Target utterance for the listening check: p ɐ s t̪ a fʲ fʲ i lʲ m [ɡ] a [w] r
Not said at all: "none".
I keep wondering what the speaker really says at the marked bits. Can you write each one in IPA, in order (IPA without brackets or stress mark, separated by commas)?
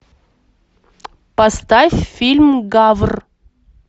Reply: ɡ, v